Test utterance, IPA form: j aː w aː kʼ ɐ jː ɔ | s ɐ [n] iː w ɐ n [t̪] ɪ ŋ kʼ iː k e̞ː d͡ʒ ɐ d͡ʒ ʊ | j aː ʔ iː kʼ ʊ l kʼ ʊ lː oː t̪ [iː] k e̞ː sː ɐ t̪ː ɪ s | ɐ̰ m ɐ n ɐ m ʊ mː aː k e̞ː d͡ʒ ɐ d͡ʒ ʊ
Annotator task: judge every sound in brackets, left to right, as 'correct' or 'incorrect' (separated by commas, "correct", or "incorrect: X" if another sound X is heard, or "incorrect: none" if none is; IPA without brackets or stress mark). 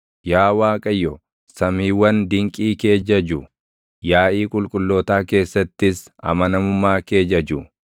incorrect: m, incorrect: d̪, incorrect: aː